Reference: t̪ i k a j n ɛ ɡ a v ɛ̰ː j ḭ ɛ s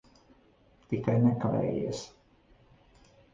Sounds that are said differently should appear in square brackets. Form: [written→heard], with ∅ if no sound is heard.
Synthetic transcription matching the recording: t̪ i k a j n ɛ [ɡ→k] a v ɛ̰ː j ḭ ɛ s